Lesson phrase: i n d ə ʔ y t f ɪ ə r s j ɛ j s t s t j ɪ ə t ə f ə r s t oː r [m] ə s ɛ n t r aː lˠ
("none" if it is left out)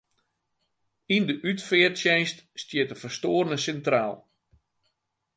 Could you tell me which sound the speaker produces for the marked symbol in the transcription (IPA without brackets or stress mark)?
n